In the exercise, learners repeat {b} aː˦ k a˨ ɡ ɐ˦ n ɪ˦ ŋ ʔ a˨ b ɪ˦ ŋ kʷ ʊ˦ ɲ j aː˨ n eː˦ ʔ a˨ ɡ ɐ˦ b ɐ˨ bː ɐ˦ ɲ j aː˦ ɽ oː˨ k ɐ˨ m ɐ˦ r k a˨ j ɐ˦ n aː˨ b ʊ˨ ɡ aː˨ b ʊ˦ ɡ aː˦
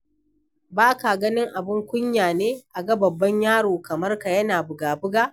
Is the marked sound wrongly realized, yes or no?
no